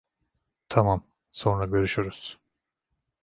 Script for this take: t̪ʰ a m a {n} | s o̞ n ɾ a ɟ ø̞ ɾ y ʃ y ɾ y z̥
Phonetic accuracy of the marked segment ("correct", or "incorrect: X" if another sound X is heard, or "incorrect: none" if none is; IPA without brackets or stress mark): incorrect: m